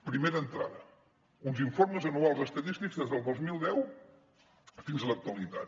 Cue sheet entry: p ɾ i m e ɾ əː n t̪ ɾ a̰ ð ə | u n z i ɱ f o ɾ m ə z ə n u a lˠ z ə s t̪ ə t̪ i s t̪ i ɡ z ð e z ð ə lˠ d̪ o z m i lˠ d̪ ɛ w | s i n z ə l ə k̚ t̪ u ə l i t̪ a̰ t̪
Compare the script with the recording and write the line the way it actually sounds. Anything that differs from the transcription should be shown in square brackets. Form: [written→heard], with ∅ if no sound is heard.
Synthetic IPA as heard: p ɾ i m e ɾ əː n t̪ ɾ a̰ ð ə | u n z i ɱ f o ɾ m ə z ə n u a lˠ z ə s t̪ ə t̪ i s t̪ i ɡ z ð e z ð ə lˠ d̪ o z m i lˠ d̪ ɛ w | [s→f] i n z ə l ə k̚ t̪ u ə l i t̪ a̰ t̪